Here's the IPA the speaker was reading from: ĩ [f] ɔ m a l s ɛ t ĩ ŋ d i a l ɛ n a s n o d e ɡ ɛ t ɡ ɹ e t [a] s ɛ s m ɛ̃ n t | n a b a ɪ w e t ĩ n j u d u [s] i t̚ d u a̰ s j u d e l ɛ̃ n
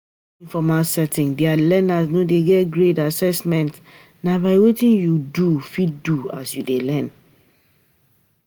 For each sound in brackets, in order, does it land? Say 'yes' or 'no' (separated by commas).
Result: yes, yes, no